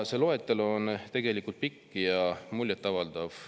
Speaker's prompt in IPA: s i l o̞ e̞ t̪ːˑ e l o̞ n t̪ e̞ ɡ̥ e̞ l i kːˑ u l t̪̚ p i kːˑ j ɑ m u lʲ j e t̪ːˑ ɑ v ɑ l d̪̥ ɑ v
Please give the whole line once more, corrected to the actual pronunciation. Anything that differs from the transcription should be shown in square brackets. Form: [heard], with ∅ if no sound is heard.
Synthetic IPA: s [e] l o̞ e̞ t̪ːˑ e l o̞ n t̪ e̞ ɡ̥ e̞ l i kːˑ u l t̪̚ p i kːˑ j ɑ m u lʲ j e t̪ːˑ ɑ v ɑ l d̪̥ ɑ v